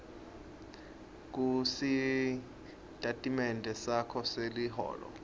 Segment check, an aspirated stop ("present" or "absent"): present